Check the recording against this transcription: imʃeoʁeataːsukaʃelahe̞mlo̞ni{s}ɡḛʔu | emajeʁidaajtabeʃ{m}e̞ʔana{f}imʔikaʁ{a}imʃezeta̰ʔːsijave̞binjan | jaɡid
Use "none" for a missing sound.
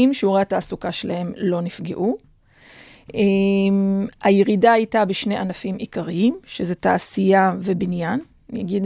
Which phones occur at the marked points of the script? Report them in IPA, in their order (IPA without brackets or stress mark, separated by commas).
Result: f, n, f, i